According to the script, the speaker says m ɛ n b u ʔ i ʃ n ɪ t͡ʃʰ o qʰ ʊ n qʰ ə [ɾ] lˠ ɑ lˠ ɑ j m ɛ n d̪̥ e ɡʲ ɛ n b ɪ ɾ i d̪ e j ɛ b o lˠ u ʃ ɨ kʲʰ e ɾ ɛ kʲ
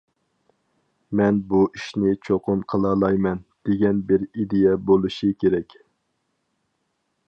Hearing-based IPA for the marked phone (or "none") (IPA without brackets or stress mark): none